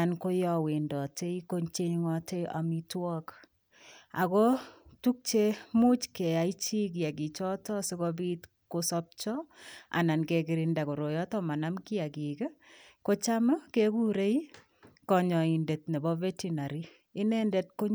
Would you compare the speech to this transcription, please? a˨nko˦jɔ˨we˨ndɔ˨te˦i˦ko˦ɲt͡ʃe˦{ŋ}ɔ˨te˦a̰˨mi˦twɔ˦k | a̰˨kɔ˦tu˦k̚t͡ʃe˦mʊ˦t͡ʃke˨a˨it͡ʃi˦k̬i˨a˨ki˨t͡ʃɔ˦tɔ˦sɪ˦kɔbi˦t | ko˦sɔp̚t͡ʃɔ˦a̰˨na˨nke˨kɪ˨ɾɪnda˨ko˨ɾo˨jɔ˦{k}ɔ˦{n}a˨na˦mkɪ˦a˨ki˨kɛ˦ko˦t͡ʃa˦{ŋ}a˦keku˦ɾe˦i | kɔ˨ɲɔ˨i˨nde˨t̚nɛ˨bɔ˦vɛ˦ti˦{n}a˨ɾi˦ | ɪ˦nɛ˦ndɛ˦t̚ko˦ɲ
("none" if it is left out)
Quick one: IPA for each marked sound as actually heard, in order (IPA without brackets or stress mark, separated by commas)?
ŋ, t, m, m, n